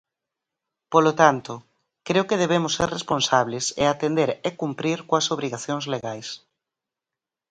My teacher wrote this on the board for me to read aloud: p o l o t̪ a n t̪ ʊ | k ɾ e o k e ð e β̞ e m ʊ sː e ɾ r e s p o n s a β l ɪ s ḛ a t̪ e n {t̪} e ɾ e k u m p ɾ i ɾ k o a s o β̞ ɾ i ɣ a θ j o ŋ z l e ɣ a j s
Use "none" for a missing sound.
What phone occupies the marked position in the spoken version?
d̪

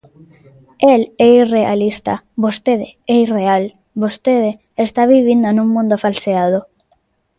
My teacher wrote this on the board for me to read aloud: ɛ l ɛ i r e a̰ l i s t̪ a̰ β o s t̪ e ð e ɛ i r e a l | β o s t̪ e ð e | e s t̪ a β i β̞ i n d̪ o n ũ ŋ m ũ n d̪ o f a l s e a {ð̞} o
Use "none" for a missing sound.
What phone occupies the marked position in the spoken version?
ð̞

